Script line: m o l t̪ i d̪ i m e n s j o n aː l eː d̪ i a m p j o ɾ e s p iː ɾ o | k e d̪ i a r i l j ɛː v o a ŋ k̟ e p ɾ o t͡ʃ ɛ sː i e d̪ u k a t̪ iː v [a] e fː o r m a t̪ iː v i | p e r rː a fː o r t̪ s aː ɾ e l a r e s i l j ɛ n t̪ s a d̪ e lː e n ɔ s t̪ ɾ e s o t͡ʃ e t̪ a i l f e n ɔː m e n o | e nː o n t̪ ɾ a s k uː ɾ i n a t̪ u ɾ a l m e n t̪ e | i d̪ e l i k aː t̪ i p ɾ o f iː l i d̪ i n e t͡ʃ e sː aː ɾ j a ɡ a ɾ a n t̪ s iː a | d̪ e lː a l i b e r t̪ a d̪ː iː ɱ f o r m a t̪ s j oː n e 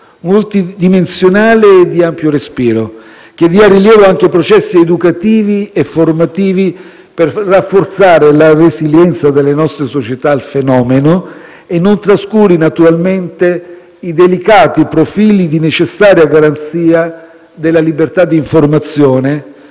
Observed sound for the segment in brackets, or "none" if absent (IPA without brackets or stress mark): i